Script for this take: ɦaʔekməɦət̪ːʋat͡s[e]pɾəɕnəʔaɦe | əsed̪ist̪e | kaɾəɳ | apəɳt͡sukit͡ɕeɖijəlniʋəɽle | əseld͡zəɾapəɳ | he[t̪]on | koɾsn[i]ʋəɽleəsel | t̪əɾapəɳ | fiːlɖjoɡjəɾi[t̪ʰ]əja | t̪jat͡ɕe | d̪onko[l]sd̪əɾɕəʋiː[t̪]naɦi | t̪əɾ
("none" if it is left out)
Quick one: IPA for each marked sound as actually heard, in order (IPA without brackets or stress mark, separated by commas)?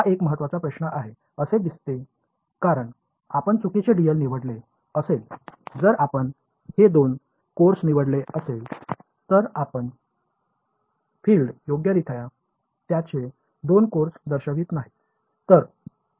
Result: a, d̪, i, t̪ʰ, ɾ, t̪